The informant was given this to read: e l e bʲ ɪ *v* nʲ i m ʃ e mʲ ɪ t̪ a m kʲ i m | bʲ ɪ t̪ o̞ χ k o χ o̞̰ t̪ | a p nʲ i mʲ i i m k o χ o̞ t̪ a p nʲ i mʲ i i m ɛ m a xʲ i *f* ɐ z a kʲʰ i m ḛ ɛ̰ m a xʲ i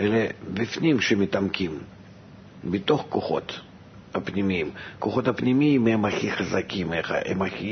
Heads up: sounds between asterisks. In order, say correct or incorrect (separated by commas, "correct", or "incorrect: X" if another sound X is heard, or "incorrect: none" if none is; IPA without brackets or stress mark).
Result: incorrect: f, incorrect: χ